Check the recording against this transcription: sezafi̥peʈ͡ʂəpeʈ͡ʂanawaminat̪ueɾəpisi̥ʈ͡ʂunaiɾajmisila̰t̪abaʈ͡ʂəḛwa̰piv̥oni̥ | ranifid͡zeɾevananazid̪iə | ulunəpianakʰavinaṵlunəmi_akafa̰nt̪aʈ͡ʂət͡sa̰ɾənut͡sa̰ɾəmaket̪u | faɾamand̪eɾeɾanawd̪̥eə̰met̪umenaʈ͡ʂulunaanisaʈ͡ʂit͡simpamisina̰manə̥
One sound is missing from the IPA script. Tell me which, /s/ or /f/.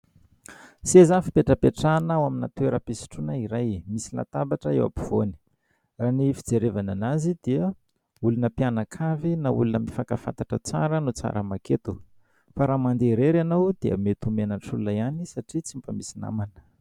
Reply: f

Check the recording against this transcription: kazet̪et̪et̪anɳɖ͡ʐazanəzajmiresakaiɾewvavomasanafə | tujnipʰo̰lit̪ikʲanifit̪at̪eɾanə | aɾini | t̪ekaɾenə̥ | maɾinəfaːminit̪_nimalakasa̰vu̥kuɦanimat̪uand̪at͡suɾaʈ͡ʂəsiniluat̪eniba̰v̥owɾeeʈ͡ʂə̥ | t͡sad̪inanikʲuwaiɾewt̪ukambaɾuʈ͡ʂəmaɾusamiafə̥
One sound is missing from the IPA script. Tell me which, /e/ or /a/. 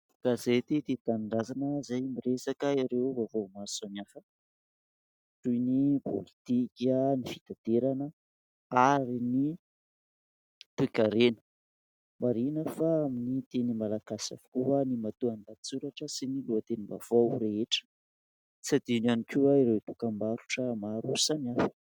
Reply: e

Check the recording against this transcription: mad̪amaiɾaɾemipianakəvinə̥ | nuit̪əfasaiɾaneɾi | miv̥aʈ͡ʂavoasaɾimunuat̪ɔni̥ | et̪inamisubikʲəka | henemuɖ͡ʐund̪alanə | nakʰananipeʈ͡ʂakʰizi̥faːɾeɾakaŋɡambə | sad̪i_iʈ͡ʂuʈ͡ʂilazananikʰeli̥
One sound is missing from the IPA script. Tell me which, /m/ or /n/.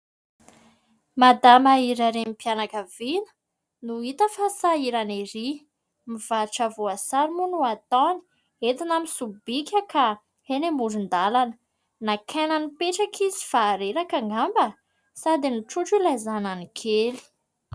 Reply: n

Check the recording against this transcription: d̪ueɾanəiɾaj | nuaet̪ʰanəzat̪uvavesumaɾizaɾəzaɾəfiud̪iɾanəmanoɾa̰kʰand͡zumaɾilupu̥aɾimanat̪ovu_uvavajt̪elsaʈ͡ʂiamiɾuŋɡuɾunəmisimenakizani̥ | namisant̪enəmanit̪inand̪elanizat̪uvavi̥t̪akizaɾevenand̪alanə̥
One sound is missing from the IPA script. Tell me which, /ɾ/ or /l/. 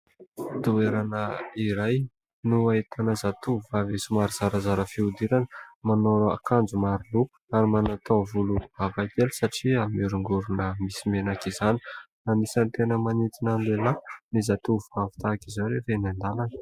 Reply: l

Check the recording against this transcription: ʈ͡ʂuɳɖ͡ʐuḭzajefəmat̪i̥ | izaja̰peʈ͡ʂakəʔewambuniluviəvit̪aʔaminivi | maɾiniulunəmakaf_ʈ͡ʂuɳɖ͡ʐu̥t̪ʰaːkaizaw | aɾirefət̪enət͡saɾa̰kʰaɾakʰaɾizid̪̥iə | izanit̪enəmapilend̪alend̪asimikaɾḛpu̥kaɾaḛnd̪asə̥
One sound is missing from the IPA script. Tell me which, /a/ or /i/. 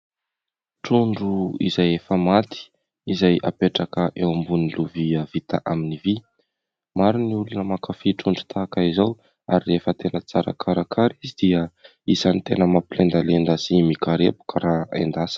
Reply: i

